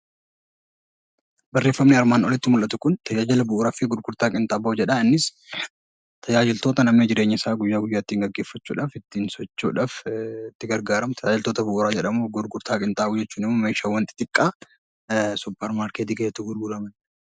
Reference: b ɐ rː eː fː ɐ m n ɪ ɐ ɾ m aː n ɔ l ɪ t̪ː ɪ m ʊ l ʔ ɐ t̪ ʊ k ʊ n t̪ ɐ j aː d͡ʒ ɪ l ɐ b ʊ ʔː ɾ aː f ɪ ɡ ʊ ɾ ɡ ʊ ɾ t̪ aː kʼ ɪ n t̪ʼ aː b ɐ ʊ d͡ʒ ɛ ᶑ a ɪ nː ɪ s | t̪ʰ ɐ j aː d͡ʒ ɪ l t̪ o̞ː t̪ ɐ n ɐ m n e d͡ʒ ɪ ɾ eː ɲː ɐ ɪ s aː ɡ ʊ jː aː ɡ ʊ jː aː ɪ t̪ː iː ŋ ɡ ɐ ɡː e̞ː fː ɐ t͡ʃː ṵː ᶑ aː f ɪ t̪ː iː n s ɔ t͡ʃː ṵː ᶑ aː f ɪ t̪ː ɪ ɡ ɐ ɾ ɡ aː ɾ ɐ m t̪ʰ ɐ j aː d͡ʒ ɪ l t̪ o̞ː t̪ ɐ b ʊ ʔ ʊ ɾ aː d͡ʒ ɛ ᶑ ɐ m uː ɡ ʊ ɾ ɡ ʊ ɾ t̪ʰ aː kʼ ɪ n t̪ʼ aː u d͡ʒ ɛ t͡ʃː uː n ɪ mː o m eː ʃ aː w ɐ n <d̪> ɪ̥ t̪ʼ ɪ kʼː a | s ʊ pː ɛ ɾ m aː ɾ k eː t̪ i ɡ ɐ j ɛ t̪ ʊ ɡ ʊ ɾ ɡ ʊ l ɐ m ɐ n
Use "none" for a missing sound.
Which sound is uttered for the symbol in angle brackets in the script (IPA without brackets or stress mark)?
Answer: t̪